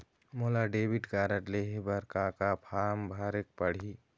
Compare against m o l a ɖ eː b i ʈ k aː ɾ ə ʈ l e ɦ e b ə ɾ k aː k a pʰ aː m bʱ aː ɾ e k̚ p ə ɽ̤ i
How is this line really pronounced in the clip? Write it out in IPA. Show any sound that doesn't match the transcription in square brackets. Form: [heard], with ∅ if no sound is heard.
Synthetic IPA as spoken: m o l a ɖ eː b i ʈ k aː ɾ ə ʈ l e ɦ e b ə ɾ k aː k a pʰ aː m bʱ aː ɾ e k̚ p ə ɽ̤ i